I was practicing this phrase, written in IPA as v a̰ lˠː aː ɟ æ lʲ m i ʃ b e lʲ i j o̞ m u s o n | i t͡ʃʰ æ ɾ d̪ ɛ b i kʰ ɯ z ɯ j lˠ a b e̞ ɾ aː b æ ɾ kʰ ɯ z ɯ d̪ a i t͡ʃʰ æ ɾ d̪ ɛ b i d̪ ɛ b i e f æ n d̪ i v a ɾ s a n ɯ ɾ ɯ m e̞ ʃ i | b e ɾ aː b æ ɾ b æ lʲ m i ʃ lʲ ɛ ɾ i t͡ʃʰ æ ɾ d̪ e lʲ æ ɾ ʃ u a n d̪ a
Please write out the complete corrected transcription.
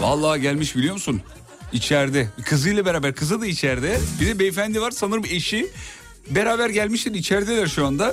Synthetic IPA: v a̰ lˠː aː ɟ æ lʲ m i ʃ b i lʲ i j o̞ m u s u n | i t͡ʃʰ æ ɾ d̪ ɛ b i kʰ ɯ z ɯ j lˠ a b e̞ ɾ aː b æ ɾ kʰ ɯ z ɯ d̪ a i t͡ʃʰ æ ɾ d̪ ɛ b i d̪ ɛ b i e f æ n d̪ i v a ɾ s a n ɯ ɾ ɯ m e̞ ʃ i | b e ɾ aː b æ ɾ ɟ æ lʲ m i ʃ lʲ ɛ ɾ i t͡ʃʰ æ ɾ d̪ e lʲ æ ɾ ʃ u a n d̪ a